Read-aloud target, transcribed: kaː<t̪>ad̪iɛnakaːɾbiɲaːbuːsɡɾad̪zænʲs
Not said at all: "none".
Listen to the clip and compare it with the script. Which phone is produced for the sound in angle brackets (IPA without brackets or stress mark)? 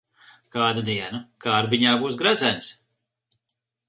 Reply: d̪